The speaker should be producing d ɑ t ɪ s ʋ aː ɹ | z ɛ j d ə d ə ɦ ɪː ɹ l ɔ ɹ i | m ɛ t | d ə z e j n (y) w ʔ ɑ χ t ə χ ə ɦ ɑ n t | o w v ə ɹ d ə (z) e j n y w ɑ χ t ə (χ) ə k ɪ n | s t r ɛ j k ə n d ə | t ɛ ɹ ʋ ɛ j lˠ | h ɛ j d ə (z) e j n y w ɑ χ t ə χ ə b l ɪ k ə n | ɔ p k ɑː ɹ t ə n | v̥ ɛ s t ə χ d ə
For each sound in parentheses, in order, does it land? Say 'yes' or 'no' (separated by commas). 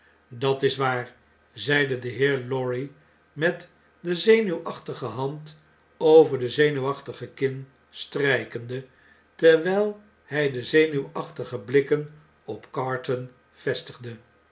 yes, yes, yes, yes